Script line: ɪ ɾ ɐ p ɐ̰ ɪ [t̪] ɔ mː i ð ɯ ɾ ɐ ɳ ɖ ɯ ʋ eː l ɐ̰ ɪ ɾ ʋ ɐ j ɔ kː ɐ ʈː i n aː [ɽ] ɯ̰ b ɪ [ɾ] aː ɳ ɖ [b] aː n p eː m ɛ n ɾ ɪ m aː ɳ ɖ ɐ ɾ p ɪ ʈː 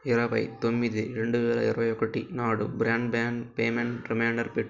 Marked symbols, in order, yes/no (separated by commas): yes, yes, yes, yes